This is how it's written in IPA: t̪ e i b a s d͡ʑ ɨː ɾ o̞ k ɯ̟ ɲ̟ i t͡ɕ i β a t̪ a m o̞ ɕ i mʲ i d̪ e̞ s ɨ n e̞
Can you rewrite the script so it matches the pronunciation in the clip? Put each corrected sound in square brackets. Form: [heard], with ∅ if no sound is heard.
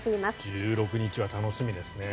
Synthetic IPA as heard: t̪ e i [m] a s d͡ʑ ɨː ɾ o̞ k ɯ̟ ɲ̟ i t͡ɕ i β a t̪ a [n] o̞ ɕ i mʲ i d̪ e̞ s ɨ n e̞